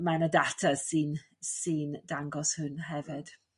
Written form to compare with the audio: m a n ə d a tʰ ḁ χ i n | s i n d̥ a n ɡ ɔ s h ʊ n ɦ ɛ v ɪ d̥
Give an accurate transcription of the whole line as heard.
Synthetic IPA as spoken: m a n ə d a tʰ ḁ s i n | s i n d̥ a ŋ ɡ ɔ s h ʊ n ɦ ɛ v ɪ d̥